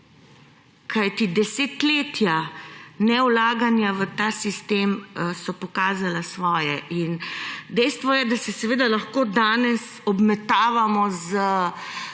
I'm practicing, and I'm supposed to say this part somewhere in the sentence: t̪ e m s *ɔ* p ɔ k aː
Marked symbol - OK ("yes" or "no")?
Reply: yes